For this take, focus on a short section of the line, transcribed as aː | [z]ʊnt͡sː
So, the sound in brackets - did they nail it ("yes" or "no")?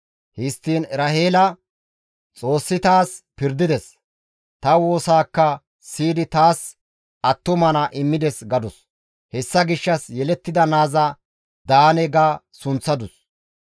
no